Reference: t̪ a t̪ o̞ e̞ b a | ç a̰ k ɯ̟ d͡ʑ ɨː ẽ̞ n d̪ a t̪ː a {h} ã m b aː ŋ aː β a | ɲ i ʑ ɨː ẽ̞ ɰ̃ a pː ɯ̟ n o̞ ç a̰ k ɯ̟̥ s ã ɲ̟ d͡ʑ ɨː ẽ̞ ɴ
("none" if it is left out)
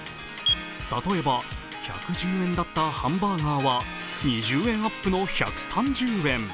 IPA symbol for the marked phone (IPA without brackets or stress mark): h